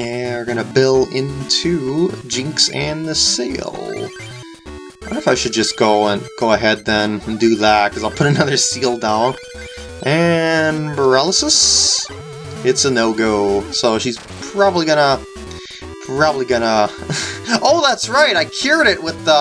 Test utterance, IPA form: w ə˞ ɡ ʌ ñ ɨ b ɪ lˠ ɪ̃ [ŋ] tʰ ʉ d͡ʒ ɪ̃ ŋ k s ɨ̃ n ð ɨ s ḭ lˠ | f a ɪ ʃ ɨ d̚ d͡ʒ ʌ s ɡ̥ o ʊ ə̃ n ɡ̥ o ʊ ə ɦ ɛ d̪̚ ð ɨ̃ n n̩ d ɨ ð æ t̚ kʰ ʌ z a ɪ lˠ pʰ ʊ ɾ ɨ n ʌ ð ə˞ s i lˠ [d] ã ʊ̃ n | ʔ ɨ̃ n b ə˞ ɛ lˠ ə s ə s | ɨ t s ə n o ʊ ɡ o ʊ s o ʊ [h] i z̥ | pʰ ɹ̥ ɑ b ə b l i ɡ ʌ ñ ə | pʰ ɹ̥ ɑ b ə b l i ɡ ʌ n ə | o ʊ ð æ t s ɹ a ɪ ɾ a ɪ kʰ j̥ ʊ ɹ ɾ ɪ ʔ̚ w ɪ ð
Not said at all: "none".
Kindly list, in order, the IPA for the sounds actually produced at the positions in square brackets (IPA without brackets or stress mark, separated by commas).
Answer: n, d, ʃ